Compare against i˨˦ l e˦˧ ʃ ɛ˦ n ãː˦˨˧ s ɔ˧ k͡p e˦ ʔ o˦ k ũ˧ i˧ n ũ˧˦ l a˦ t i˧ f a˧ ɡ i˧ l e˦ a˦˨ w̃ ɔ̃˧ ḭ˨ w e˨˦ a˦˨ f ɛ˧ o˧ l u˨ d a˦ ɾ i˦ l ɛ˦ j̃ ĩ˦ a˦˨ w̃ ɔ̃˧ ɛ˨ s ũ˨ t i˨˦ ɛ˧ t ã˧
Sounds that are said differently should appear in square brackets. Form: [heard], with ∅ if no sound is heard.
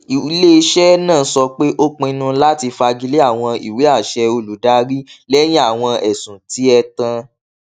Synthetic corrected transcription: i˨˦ l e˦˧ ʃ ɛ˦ n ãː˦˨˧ s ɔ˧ k͡p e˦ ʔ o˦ [k͡p] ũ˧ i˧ n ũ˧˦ l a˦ t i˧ f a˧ ɡ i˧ l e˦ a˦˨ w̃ ɔ̃˧ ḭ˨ w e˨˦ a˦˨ [ʃ] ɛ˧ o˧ l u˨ d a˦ ɾ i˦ l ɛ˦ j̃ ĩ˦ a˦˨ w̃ ɔ̃˧ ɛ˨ s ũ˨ t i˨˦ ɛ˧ t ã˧